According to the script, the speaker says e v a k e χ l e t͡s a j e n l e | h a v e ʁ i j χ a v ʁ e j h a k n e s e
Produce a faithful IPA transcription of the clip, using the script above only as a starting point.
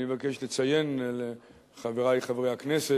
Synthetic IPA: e v a k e ʃ l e t͡s a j e n l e | χ a v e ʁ a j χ a v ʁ e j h a k n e s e